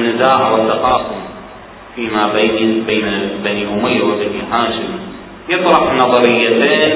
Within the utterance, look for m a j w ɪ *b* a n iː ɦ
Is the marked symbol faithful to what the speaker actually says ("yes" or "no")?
yes